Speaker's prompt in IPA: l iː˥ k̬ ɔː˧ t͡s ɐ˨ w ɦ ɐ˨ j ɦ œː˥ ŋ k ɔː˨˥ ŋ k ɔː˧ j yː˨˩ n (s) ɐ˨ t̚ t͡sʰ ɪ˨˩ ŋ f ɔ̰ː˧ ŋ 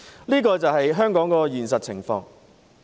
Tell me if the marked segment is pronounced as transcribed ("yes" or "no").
yes